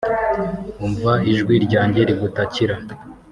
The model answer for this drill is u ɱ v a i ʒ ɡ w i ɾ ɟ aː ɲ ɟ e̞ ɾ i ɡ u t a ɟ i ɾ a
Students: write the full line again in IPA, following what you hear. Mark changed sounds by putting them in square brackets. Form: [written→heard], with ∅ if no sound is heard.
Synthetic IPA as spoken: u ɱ v a i ʒ ɡ w i ɾ ɟ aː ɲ ɟ e̞ ɾ i ɡ u t a [ɟ→c] i ɾ a